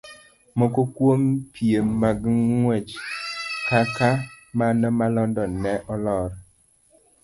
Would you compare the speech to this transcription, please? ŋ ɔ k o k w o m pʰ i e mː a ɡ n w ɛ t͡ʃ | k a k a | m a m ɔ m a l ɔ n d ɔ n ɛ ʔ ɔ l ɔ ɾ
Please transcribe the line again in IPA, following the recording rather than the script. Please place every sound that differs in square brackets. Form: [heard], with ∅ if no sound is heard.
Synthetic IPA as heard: [m] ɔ k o k w o m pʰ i e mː a ɡ [ŋ] w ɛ t͡ʃ | k a k a | m a [n] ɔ m a l ɔ n d ɔ n ɛ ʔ ɔ l ɔ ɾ